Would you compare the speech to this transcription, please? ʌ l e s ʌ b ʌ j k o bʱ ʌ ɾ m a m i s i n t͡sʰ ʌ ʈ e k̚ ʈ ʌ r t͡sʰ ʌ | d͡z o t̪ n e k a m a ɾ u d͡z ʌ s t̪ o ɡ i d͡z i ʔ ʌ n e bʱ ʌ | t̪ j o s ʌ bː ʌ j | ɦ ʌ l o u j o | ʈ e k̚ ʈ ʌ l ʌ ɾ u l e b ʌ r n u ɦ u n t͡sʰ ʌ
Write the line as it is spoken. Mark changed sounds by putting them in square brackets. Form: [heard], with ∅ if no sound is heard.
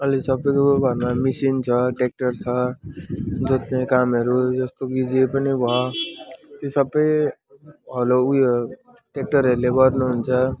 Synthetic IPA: ʌ l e s ʌ b ʌ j k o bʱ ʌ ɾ m a m i s i n t͡sʰ ʌ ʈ e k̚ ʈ ʌ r t͡sʰ ʌ | d͡z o t̪ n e k a m [ʌ] ɾ u d͡z ʌ s t̪ o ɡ i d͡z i [p] ʌ n [i] bʱ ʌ | t̪ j o s ʌ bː ʌ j | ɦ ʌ l o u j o | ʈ e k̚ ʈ ʌ [ɾ] ʌ ɾ u l e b ʌ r n u ɦ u n t͡sʰ ʌ

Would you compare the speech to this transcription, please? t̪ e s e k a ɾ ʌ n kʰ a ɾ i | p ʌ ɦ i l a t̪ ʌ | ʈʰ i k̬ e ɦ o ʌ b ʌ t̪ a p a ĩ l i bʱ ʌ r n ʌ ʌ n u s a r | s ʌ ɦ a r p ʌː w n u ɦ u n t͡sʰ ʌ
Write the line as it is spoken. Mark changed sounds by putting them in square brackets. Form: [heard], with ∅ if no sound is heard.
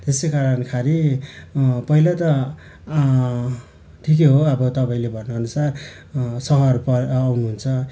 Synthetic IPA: t̪ e s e k a ɾ ʌ n kʰ a ɾ i | p ʌ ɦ i l a t̪ ʌ | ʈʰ i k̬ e ɦ o ʌ b ʌ t̪ [ʌ] p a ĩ l [e] bʱ ʌ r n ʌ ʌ n u s a r | s ʌ ɦ [ʌ] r p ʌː w n u ɦ u n t͡sʰ ʌ

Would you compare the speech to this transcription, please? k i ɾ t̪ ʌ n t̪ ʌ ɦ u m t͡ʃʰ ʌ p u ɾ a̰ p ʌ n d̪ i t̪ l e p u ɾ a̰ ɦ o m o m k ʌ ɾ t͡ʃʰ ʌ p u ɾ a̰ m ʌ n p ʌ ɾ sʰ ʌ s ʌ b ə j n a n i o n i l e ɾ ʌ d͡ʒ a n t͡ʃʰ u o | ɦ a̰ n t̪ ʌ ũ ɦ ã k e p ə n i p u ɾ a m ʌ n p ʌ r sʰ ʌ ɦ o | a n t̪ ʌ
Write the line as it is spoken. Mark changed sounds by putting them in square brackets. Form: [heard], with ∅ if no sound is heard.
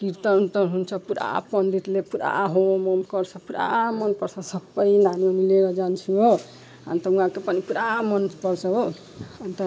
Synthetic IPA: k i ɾ t̪ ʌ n t̪ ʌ ɦ u [n] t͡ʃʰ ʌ p u ɾ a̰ p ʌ n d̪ i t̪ l e p u ɾ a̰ ɦ o m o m k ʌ ɾ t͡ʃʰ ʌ p u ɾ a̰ m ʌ n p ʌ ɾ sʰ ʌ s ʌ b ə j n a n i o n i l e ɾ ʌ d͡ʒ a n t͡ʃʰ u o | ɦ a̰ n t̪ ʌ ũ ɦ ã k e p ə n i p u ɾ a m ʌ n p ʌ [ɾ] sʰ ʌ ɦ o | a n t̪ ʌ

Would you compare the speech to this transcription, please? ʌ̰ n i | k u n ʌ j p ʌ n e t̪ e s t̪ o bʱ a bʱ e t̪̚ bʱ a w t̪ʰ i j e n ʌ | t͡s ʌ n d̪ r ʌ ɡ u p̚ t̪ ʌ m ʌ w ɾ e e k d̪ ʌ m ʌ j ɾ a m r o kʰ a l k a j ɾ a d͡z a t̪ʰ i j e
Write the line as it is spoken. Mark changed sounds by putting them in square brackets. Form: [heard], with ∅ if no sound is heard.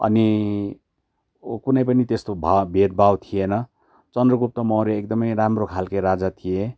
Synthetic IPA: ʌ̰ n i | k u n ʌ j p ʌ n [i] t̪ e s t̪ o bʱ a bʱ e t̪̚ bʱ a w t̪ʰ i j e n ʌ | t͡s ʌ n d̪ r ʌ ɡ u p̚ t̪ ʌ m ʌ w ɾ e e k d̪ ʌ m ʌ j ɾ a m r o kʰ a l k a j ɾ a d͡z a t̪ʰ i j e

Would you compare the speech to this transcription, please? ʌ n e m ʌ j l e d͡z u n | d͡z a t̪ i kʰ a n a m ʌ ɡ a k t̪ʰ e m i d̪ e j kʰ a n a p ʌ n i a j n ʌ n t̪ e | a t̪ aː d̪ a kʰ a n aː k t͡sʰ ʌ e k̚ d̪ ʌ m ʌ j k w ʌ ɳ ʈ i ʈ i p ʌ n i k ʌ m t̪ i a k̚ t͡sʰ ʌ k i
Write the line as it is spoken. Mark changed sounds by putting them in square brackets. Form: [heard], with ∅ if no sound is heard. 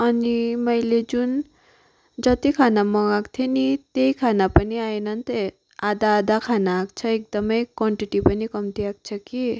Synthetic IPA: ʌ n [i] m ʌ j l e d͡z u n | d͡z [ʌ] t̪ i kʰ a n a m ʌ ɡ a k t̪ʰ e [n] i [t̪] e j kʰ a n a p ʌ n i a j n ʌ n t̪ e | a [d̪] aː d̪ a kʰ a n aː k t͡sʰ ʌ e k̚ d̪ ʌ m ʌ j k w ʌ ɳ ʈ i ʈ i p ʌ n i k ʌ m t̪ i a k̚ t͡sʰ ʌ k i

